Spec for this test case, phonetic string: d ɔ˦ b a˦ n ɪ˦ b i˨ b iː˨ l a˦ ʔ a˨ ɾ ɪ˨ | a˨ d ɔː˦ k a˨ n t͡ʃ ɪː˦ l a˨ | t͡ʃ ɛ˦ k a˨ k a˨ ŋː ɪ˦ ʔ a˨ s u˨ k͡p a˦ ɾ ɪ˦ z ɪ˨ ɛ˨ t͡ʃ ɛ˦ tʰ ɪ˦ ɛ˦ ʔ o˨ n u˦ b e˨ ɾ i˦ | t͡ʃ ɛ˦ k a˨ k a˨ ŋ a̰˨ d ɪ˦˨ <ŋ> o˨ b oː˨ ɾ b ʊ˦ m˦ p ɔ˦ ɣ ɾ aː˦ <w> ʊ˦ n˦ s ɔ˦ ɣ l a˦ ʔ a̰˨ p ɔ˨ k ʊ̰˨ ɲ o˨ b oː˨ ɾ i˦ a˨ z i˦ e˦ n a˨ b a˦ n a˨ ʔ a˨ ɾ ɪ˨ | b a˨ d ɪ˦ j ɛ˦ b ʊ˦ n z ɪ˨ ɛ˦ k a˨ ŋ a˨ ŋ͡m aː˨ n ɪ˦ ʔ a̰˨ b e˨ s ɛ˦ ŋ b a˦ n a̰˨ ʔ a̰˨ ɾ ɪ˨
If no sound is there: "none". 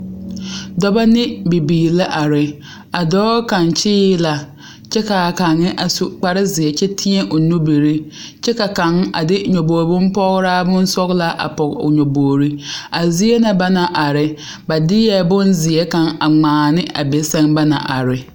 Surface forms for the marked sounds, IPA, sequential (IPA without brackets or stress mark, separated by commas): ɲ, b